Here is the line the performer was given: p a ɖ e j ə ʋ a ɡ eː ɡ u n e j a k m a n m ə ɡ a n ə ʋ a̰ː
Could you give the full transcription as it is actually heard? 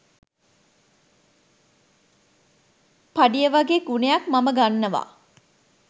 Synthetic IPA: p a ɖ i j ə ʋ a ɡ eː ɡ u n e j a k m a m ə ɡ a nː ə ʋ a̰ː

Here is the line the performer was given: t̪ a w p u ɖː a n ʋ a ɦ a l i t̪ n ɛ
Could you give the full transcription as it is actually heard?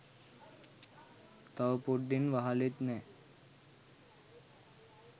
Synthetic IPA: t̪ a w p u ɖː i n ʋ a ɦ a l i t̪ n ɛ

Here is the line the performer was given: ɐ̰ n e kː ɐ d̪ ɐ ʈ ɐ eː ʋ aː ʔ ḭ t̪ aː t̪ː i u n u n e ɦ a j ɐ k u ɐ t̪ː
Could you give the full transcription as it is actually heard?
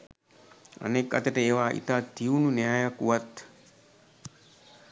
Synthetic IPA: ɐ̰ n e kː ɐ t̪ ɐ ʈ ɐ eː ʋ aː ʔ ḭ t̪ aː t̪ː i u n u n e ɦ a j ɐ k u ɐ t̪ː

